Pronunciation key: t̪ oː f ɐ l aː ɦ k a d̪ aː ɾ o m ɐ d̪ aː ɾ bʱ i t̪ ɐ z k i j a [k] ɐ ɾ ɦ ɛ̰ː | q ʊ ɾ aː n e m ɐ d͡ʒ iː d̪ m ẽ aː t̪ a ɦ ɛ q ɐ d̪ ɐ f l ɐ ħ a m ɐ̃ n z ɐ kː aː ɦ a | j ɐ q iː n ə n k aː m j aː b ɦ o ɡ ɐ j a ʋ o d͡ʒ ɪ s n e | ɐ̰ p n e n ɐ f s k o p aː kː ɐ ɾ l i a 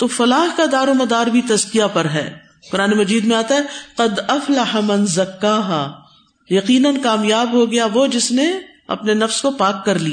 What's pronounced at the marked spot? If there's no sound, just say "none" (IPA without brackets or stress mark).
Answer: p